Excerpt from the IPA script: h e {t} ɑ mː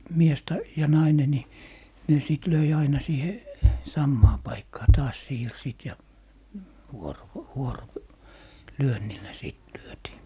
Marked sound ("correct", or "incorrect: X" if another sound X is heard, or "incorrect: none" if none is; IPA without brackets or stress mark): incorrect: s